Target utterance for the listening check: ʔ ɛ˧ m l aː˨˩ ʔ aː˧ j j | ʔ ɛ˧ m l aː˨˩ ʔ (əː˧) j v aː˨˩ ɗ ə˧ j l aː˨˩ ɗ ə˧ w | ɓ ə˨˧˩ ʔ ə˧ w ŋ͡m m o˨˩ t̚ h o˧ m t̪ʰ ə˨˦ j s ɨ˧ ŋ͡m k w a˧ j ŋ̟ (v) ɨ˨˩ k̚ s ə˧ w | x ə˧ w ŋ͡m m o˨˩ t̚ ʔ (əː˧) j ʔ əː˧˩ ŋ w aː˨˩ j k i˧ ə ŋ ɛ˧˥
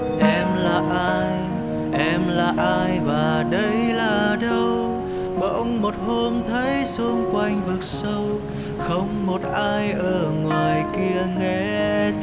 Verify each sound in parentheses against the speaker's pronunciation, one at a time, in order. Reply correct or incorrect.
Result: incorrect: aː˧, correct, incorrect: aː˧

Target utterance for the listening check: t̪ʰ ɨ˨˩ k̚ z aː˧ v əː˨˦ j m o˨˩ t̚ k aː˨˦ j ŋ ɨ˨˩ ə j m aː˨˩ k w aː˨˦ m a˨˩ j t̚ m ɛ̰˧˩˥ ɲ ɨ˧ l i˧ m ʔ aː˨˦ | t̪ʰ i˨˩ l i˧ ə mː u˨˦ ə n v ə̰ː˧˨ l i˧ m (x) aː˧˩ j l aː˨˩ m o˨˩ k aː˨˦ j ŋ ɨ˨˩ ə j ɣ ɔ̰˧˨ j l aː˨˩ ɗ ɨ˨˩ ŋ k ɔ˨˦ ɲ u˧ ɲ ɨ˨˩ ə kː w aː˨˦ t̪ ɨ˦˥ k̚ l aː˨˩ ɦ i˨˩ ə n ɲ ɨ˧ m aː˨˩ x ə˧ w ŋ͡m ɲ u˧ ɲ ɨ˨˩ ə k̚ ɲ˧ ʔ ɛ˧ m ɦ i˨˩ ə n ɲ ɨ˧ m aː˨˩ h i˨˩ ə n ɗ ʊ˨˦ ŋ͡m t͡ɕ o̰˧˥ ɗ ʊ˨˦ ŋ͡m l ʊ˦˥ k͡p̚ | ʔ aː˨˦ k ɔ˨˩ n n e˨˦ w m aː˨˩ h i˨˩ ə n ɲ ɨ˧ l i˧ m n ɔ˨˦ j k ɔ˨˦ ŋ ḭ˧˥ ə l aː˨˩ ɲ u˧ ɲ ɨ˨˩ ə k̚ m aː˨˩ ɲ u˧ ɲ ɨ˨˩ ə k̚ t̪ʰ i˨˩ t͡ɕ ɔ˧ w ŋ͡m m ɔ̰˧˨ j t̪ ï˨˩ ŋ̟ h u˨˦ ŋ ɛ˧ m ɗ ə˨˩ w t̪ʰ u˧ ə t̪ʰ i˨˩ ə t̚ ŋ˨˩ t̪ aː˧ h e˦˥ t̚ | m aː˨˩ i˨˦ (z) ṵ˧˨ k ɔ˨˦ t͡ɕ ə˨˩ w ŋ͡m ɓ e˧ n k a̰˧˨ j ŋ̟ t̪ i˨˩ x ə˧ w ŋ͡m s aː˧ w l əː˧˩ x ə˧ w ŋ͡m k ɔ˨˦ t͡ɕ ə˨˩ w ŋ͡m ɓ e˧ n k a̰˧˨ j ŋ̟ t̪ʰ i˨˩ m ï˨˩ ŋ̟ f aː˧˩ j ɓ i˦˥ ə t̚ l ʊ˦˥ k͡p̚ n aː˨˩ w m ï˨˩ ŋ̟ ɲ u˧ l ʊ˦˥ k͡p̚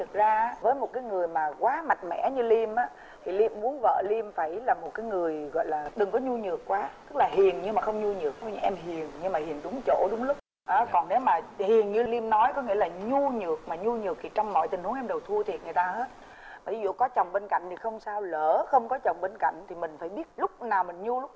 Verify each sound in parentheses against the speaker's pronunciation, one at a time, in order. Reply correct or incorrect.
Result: incorrect: f, correct

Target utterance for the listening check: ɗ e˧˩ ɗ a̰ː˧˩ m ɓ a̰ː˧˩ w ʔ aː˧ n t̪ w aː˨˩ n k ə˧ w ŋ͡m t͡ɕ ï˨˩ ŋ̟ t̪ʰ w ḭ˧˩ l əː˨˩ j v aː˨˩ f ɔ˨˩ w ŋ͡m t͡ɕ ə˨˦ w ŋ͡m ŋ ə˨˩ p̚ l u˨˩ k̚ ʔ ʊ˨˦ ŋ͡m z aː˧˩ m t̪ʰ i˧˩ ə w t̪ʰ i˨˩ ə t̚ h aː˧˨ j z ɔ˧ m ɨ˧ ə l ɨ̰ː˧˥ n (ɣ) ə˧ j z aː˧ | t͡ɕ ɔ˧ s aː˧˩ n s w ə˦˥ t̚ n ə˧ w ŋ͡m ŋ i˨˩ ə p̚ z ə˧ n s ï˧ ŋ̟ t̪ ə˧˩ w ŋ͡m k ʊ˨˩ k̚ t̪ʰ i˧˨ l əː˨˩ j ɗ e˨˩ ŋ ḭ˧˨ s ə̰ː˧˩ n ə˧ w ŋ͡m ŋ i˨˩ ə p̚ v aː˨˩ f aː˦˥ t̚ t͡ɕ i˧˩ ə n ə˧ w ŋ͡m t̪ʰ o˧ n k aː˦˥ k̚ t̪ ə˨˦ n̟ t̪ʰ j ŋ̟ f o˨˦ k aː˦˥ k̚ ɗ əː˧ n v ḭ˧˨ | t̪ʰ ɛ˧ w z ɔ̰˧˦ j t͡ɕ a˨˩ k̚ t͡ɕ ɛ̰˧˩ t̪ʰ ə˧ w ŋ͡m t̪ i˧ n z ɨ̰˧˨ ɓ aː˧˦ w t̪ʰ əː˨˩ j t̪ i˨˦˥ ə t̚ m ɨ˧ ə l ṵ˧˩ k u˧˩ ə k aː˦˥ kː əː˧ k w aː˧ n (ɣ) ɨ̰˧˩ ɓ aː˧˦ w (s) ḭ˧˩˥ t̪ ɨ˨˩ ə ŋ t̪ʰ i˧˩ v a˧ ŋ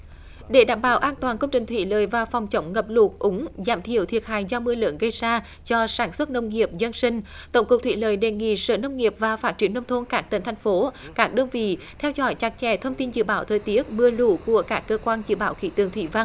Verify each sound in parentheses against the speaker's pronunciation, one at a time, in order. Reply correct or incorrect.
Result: correct, incorrect: z, incorrect: x

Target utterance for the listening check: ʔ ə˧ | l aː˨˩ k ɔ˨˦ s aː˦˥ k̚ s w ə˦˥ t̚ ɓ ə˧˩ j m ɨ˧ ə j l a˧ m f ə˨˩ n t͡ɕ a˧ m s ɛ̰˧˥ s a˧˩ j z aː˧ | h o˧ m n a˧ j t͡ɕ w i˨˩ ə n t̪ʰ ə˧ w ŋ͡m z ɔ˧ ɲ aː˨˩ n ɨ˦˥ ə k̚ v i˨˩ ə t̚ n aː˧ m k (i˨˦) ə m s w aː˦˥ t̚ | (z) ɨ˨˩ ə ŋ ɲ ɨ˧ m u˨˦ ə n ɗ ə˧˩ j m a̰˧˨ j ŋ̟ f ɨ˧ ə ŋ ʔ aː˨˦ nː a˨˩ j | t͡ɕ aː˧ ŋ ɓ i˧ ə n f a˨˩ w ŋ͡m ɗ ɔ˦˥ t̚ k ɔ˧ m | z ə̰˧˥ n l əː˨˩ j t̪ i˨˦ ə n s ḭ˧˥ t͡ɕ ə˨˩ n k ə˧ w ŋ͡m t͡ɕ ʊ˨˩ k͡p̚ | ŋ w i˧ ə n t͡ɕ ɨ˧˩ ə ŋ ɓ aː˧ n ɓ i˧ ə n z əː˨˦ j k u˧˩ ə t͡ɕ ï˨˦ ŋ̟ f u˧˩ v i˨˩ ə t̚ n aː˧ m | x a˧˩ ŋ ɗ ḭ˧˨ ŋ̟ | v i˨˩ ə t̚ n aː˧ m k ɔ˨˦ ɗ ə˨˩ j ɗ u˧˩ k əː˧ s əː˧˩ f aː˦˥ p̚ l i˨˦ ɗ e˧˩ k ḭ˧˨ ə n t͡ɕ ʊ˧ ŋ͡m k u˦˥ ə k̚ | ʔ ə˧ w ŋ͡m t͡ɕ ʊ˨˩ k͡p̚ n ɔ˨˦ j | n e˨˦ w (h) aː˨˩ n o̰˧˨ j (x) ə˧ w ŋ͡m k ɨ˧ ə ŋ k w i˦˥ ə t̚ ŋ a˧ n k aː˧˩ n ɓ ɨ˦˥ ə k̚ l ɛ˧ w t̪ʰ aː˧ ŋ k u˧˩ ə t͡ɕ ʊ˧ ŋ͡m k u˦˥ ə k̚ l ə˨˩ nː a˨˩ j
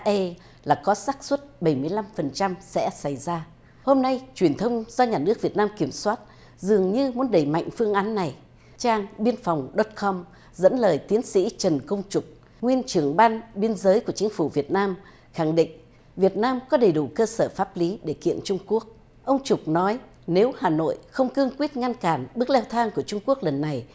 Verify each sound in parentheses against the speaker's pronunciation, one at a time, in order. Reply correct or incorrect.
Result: incorrect: i˧˩, correct, correct, correct

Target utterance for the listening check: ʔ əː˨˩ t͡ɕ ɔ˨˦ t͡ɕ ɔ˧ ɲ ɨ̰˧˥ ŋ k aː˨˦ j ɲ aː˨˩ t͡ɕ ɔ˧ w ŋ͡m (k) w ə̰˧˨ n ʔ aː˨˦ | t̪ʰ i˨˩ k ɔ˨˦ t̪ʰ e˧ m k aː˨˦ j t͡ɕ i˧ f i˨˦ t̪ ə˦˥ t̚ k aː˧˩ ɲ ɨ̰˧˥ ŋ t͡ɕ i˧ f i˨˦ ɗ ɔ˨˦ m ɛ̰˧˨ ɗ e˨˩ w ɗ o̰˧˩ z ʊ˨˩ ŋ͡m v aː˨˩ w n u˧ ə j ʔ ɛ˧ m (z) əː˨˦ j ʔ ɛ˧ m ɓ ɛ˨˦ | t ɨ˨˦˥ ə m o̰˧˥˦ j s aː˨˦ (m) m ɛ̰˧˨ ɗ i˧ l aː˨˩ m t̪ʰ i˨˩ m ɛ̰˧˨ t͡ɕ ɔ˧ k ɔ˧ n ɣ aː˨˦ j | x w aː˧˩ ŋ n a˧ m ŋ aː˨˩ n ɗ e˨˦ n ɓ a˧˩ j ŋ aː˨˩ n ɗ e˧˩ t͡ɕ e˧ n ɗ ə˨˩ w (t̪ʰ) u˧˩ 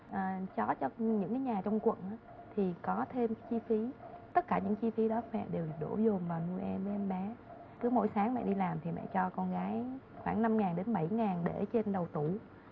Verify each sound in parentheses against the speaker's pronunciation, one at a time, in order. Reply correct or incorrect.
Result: correct, incorrect: v, incorrect: ŋ, incorrect: t̪

